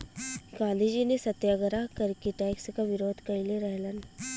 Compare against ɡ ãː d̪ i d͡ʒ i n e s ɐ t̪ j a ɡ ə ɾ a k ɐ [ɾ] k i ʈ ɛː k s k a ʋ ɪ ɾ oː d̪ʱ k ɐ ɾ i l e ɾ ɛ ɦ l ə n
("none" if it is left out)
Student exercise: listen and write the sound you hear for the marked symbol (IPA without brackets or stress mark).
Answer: ɾ